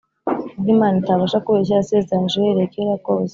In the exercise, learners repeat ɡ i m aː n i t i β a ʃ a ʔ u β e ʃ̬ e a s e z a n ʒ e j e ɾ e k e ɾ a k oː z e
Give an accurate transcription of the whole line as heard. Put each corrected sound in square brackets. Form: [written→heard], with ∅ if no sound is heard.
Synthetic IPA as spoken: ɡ i m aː n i t [i→a] β a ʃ a [ʔ→k] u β e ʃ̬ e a s e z a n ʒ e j e ɾ e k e ɾ a k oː z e